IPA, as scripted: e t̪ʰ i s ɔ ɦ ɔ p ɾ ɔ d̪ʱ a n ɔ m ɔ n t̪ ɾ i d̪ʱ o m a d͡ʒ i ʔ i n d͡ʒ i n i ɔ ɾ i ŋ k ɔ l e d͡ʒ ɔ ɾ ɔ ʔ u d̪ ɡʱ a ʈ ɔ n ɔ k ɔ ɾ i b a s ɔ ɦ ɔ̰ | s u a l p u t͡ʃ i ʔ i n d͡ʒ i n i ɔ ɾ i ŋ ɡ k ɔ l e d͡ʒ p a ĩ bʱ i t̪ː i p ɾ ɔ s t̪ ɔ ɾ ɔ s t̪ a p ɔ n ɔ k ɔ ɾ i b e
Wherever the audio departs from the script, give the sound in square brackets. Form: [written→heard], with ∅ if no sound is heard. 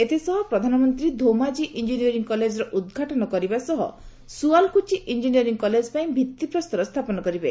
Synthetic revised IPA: e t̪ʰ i s ɔ ɦ ɔ p ɾ ɔ d̪ʱ a n ɔ m ɔ n t̪ ɾ i d̪ʱ o m a d͡ʒ i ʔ i n d͡ʒ i n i ɔ ɾ i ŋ k ɔ l e d͡ʒ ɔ ɾ ɔ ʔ u d̪ ɡʱ a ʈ ɔ n ɔ k ɔ ɾ i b a s ɔ ɦ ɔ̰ | s u a l [p→k] u t͡ʃ i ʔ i n d͡ʒ i n i ɔ ɾ i ŋ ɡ k ɔ l e d͡ʒ p a ĩ bʱ i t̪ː i p ɾ ɔ s t̪ ɔ ɾ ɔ s [t̪→t̪ʰ] a p ɔ n ɔ k ɔ ɾ i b e